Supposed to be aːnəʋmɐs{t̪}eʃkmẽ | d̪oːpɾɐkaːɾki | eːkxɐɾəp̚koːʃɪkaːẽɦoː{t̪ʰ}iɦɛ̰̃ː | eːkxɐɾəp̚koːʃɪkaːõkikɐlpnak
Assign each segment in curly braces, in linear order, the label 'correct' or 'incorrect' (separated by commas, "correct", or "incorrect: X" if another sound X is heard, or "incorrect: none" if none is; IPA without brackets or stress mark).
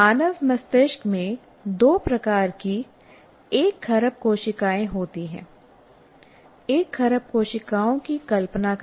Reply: correct, incorrect: t̪